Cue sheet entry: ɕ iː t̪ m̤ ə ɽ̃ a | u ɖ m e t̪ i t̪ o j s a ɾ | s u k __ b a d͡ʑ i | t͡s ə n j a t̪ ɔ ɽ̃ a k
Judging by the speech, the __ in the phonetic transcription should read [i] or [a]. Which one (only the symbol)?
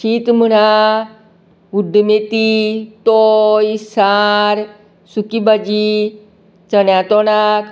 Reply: i